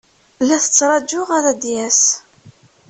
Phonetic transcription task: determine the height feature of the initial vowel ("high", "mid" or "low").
low